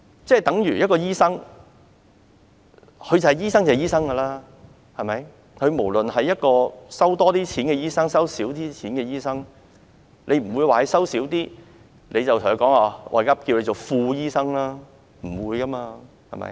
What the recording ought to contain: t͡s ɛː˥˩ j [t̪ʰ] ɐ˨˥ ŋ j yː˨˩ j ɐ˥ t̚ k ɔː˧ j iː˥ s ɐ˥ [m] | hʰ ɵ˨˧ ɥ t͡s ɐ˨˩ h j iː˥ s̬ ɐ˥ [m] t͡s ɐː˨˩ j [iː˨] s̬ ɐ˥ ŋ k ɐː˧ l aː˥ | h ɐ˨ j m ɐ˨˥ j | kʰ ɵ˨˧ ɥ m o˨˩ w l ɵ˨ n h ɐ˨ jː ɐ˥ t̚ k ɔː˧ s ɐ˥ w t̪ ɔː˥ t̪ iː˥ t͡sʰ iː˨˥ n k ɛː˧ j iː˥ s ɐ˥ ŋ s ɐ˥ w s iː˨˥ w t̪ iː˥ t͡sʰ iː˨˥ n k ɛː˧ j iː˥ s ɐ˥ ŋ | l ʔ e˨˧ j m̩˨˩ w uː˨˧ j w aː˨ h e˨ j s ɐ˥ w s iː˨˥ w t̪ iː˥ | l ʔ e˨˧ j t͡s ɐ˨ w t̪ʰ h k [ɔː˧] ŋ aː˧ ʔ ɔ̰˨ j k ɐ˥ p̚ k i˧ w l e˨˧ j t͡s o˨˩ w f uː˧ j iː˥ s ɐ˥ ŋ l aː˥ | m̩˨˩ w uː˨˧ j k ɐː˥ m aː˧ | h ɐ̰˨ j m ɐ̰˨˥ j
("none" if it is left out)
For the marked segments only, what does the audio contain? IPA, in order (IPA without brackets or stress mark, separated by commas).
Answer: t̪, ŋ, ŋ, iː˥, ɔː˨˥